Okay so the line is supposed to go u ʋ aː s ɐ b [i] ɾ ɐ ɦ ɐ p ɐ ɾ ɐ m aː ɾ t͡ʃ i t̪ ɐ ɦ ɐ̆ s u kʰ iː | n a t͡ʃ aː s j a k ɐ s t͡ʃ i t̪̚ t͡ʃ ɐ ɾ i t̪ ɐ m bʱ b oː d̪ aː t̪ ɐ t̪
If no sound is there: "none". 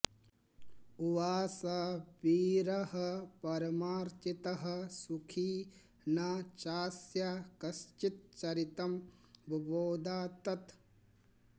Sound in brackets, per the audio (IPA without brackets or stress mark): iː